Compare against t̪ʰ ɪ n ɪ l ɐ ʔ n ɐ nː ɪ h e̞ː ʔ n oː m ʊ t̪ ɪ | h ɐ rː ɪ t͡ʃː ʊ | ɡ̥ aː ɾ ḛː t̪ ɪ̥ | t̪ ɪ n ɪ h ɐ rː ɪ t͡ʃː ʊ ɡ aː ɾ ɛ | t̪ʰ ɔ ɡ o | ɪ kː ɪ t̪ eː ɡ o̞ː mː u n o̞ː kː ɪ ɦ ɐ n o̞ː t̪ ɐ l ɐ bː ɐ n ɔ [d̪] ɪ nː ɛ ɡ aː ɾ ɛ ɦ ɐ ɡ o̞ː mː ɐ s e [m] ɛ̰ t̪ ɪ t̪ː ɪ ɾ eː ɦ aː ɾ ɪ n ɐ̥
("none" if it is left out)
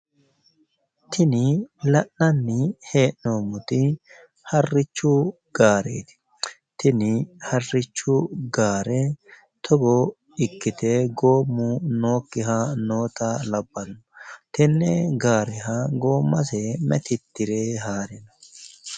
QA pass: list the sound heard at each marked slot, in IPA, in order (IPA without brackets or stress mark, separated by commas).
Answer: t̪, m